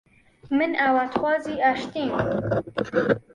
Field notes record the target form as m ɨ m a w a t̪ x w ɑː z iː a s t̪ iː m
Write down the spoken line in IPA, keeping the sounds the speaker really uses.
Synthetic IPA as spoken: m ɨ n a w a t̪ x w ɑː z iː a ʃ t̪ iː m